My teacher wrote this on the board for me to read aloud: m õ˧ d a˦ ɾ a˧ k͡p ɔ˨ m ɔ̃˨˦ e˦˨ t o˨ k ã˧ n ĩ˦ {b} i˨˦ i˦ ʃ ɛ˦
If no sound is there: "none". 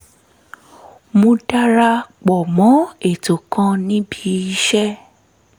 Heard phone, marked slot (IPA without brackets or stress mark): b